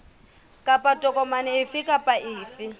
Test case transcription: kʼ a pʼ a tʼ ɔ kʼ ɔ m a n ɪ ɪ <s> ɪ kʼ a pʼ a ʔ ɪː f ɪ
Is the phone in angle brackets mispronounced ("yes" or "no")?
yes